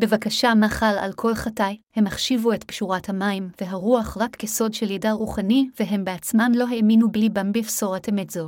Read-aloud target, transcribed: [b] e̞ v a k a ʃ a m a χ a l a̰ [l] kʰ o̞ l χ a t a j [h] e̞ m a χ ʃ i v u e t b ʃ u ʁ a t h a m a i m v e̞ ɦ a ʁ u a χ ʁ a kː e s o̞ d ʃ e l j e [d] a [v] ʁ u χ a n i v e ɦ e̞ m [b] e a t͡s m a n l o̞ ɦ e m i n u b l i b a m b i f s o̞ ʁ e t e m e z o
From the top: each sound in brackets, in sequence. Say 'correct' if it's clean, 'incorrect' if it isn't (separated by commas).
correct, correct, correct, correct, incorrect, correct